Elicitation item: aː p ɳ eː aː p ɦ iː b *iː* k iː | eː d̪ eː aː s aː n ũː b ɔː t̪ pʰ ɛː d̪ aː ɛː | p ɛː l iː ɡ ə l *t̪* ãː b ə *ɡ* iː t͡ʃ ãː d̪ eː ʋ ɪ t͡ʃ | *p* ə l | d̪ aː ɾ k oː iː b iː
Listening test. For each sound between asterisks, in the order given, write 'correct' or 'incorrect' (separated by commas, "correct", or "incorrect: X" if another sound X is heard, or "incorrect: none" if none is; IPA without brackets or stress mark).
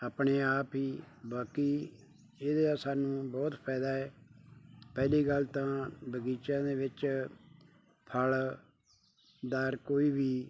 incorrect: aː, correct, correct, incorrect: pʰ